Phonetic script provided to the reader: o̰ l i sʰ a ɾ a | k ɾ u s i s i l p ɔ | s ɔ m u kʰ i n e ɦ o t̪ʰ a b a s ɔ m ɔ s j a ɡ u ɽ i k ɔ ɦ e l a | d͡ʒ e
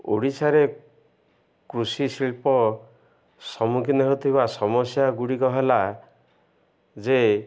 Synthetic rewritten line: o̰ ɽ i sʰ a ɾ e | k ɾ u s i s i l p ɔ | s ɔ m u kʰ i n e ɦ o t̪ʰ i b a s ɔ m ɔ s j a ɡ u ɽ i k ɔ ɦ e l a | d͡ʒ e